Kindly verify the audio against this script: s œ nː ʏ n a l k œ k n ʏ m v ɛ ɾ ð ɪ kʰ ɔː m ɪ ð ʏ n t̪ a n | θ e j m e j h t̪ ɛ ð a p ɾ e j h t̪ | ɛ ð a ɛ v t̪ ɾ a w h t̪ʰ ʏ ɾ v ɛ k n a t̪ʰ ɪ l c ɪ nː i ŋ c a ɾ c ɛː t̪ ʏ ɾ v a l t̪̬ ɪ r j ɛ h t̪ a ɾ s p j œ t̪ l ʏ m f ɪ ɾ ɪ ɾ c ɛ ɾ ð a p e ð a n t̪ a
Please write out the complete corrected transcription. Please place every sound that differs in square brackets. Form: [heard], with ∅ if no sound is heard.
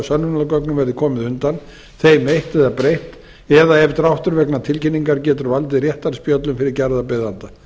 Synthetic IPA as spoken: s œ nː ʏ n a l k œ k n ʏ m v ɛ ɾ ð ɪ kʰ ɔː m ɪ ð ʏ n t̪ a n | θ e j m e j h t̪ ɛ ð a p ɾ e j h t̪ | ɛ ð a ɛ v t̪ ɾ a w h [t̪] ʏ ɾ v ɛ k n a t̪ʰ ɪ l c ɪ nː i ŋ [k] a ɾ c ɛː t̪ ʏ ɾ v a l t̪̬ ɪ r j ɛ h t̪ a ɾ s p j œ t̪ l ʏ m f ɪ ɾ ɪ ɾ c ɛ ɾ ð a p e ð a n t̪ a

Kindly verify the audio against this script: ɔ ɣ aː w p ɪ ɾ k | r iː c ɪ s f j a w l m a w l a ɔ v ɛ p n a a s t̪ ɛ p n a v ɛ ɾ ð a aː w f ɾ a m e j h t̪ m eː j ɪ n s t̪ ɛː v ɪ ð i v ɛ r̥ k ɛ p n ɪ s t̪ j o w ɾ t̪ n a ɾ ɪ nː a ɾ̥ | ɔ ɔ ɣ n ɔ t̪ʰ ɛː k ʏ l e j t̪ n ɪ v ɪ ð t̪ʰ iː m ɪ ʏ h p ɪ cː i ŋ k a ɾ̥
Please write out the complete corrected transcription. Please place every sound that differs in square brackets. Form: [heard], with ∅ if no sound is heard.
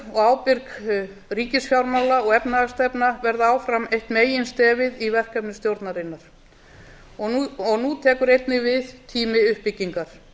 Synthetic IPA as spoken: ɔ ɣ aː w p ɪ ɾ k | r iː c ɪ s f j a w [ɾ] m a w l a ɔ [ɣ] ɛ p n a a s t̪ ɛ p n a v ɛ ɾ ð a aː w f ɾ a m e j h t̪ m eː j ɪ n s t̪ ɛː v ɪ ð i v ɛ r̥ k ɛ p n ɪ s t̪ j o w ɾ t̪ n a ɾ ɪ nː a ɾ̥ | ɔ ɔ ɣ n [u] t̪ʰ ɛː k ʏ [ɾ] e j t̪ n ɪ v ɪ ð t̪ʰ iː m ɪ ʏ h p ɪ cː i ŋ k a ɾ̥

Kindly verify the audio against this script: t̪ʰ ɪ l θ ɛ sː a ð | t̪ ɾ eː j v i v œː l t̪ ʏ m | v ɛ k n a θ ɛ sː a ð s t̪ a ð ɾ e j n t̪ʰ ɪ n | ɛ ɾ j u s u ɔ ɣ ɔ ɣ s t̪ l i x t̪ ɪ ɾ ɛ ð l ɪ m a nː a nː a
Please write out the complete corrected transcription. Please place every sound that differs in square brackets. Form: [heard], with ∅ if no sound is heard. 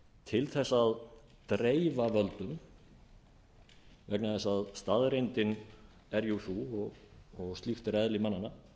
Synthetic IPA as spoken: t̪ʰ ɪ l θ ɛ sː a ð | t̪ ɾ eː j v [a] v [œ] l t̪ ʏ m | v ɛ k n a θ ɛ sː a ð s t̪ a ð ɾ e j n [t̪] ɪ n | ɛ ɾ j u [θ] u ɔ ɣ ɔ ɣ s t̪ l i x t̪ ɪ ɾ ɛ ð l ɪ m a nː a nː a

